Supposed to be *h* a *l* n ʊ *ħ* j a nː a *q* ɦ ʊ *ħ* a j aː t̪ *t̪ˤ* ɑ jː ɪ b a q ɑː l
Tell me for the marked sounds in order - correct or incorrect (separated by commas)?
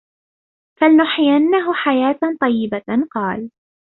incorrect, correct, correct, incorrect, correct, correct